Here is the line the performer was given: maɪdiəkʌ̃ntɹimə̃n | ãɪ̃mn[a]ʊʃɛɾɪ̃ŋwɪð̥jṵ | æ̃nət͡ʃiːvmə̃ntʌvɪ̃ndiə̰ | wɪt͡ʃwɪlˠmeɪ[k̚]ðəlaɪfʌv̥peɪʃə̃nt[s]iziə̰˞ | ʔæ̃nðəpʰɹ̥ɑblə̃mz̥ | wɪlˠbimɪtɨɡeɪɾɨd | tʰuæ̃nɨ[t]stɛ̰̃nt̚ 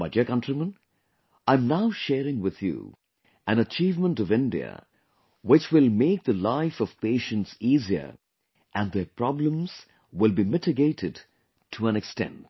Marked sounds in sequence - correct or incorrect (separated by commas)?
correct, correct, correct, incorrect